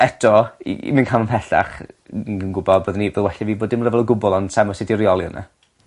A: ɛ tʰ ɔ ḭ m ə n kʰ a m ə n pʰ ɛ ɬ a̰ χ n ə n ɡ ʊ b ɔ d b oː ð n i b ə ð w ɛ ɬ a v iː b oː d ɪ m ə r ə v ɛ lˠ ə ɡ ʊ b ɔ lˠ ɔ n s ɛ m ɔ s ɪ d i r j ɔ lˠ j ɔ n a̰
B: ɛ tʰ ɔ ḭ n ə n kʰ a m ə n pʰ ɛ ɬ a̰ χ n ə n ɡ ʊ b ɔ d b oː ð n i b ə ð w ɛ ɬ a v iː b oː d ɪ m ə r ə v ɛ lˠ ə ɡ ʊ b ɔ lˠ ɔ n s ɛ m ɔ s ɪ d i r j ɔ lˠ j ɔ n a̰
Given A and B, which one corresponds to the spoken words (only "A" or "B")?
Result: A